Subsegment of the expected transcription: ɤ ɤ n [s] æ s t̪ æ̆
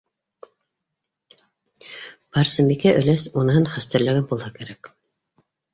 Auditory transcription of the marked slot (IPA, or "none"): χ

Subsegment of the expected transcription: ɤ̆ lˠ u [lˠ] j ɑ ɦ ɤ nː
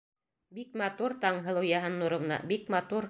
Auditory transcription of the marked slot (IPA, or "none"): none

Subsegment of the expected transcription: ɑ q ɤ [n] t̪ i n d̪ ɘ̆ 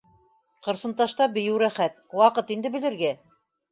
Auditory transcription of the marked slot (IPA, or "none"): none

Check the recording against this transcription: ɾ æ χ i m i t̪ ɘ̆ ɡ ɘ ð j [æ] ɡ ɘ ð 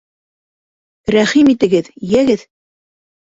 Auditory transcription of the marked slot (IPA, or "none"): æ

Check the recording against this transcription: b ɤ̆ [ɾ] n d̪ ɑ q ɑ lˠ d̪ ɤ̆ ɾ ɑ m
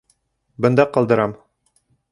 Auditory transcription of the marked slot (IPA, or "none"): none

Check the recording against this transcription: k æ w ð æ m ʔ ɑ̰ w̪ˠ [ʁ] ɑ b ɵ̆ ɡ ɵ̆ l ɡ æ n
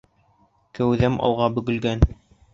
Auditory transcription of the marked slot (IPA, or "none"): ʁ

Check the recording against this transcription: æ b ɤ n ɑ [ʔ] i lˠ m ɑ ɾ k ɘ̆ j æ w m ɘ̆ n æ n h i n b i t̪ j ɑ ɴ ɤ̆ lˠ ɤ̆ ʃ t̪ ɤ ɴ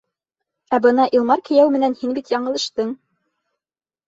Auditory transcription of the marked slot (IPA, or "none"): ʔ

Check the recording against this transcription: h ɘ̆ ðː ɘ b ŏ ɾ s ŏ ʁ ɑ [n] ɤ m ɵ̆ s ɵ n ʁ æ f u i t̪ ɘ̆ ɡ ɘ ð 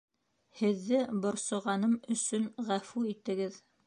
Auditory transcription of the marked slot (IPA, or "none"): n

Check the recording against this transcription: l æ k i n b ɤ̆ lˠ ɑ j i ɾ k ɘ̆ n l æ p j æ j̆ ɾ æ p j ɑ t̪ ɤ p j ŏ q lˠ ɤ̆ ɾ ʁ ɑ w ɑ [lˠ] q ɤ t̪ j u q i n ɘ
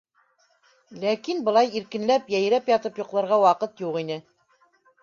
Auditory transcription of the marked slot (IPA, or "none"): none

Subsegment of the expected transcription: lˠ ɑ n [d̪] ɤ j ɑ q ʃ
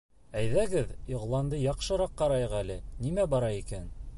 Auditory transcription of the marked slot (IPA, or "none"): d̪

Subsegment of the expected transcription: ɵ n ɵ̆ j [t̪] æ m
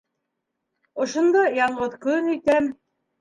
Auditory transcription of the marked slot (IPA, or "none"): t̪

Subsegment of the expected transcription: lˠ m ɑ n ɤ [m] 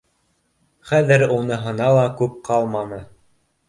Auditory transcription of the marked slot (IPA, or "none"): none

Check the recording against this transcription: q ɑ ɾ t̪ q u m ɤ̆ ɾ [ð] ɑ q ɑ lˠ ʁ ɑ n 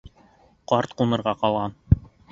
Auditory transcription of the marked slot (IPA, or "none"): ʁ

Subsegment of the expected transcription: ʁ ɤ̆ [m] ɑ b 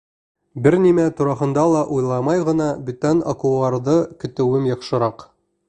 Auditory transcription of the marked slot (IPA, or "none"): n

